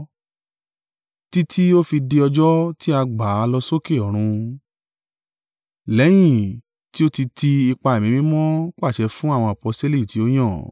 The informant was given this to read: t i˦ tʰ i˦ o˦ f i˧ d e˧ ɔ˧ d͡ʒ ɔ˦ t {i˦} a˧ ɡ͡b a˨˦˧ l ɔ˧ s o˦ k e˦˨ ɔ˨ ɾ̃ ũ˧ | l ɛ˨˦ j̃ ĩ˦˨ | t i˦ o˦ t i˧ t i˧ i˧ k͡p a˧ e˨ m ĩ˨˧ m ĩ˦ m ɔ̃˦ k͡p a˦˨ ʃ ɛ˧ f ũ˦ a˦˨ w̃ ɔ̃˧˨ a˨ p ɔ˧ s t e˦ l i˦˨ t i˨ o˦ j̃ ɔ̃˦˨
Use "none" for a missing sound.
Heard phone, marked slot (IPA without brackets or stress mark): i˦